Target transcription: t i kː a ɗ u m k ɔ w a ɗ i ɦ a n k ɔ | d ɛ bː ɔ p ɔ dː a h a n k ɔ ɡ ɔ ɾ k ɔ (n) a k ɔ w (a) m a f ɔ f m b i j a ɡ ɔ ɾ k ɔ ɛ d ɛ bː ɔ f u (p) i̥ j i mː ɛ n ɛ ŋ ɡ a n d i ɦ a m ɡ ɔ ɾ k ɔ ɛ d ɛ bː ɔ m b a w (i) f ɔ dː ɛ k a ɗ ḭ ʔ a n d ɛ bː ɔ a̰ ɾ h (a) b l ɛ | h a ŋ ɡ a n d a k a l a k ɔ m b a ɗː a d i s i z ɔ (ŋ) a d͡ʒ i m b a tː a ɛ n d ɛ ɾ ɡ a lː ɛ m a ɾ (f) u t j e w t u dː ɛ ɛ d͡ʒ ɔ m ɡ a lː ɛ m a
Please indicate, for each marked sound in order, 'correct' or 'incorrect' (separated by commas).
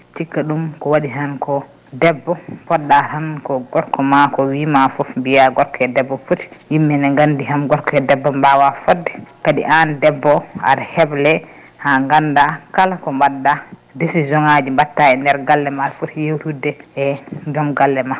incorrect, incorrect, incorrect, incorrect, incorrect, correct, correct